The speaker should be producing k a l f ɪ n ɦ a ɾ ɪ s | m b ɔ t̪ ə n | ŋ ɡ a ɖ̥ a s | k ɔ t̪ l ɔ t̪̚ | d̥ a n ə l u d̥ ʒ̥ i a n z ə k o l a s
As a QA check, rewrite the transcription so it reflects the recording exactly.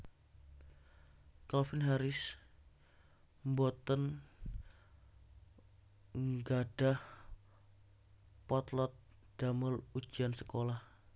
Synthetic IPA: k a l f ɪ n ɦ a ɾ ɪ s | m b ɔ t̪ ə n | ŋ ɡ a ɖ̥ a h | p ɔ t̪ l ɔ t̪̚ | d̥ a m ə l u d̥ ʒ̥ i a n s ə k o l a h